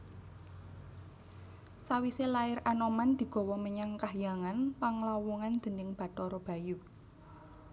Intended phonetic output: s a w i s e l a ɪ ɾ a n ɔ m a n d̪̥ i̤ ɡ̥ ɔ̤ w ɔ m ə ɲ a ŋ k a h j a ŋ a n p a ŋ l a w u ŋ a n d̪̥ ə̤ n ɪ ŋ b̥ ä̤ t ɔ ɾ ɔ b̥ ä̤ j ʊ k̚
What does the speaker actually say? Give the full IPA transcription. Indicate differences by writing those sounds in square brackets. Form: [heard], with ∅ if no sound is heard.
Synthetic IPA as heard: s a w i s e l a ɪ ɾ a n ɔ m a n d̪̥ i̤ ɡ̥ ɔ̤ w ɔ m ə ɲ a ŋ k a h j a ŋ a n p a ŋ l a w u ŋ a n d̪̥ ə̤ n ɪ ŋ b̥ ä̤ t ɔ ɾ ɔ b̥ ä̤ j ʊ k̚